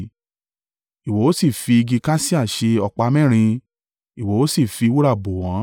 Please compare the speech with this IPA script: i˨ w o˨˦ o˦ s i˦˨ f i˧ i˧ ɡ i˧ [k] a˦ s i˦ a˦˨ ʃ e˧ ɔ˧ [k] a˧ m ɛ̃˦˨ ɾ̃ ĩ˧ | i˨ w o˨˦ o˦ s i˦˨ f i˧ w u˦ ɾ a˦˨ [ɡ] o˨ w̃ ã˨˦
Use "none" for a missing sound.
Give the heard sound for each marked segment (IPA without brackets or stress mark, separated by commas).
k, k͡p, b